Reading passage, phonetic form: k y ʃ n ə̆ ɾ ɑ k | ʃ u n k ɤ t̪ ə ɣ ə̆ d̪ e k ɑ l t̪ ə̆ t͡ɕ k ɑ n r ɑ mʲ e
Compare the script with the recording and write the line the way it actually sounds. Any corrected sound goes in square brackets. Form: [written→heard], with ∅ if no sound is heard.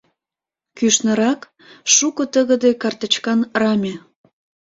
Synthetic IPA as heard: k y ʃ n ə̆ ɾ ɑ k | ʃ u [n→∅] k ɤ t̪ ə ɣ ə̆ d̪ e k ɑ [l→r] t̪ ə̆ t͡ɕ k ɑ n r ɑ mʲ e